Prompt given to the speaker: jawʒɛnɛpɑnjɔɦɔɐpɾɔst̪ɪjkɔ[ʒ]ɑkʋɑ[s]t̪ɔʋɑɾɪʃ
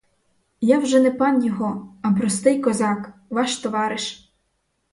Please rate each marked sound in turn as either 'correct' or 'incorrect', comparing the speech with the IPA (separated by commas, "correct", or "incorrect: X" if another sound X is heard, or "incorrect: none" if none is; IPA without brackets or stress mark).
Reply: incorrect: z, incorrect: ʃ